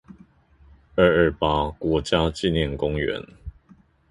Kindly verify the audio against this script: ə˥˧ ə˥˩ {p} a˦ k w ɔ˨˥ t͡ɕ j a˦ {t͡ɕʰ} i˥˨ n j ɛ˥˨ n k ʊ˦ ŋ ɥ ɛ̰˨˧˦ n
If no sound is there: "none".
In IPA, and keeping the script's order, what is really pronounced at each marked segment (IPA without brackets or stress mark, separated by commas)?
p, t͡ɕ